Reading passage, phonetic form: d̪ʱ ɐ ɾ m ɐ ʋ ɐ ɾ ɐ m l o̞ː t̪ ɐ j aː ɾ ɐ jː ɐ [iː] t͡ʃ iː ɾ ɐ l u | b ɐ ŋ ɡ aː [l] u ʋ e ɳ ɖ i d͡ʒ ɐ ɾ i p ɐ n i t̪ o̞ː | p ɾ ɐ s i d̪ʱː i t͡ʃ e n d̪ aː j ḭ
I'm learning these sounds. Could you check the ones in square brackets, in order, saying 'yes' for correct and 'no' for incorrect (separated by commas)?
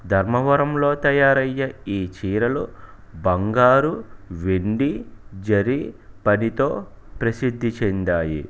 yes, no